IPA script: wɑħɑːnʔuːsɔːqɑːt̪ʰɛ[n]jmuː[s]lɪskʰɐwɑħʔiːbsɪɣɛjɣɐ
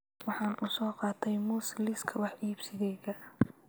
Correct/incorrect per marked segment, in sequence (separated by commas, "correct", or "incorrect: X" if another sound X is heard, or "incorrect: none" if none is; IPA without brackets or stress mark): incorrect: none, correct